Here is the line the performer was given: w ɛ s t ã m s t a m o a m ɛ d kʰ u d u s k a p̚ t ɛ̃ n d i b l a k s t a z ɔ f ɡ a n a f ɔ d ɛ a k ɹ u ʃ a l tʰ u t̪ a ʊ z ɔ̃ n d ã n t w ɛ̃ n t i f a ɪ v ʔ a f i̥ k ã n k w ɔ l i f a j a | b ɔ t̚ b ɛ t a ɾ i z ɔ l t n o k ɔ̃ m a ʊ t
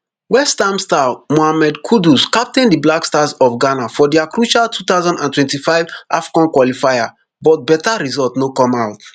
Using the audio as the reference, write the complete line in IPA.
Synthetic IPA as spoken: w ɛ s t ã m s t a m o a m ɛ d kʰ u d u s k a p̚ t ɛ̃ n d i b l a k s t a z ɔ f ɡ a n a f ɔ d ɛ a k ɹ u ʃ a l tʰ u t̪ a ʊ z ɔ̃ n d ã n t w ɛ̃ n t i f a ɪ v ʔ a f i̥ k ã n k w ɔ l i f a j a | b ɔ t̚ b ɛ t a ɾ i z ɔ l t n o k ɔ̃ m a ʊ t